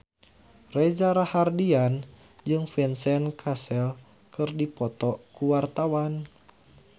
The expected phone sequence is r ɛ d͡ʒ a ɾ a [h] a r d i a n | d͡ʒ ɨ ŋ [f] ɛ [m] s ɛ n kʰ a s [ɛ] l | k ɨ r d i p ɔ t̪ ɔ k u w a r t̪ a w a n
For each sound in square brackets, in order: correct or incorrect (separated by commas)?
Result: correct, correct, incorrect, correct